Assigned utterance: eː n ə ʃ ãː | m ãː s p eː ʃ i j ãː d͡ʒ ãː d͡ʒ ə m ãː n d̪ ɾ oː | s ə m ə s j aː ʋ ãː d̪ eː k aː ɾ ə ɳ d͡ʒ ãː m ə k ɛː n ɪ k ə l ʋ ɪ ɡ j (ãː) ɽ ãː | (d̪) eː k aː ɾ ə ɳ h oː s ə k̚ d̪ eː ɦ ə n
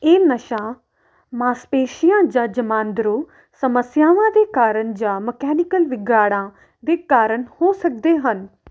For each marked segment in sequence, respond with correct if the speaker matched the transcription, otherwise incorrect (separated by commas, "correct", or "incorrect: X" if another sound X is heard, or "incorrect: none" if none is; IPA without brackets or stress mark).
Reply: incorrect: aː, correct